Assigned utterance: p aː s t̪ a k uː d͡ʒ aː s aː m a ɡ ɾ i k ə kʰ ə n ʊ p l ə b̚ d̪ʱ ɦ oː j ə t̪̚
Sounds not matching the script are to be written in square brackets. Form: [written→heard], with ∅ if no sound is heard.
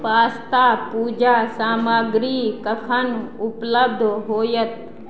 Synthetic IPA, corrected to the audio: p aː s t̪ a [k→p] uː d͡ʒ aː s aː m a ɡ ɾ i k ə kʰ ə n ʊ p l ə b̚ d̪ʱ ɦ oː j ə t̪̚